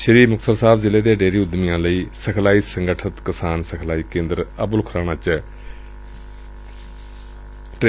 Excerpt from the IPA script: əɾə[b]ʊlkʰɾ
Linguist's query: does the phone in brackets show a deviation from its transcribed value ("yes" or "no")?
no